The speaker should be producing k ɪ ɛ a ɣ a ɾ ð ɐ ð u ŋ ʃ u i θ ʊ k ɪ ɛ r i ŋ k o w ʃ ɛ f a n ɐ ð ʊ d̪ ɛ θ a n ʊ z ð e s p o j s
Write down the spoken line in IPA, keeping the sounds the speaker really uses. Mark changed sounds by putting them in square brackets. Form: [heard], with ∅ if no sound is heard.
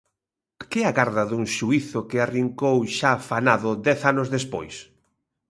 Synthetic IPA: k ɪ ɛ a ɣ a ɾ ð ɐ ð u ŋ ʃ u i θ ʊ k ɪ [a] r i ŋ k o w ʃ [a] f a n [a] ð ʊ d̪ ɛ θ a n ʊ z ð e s p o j s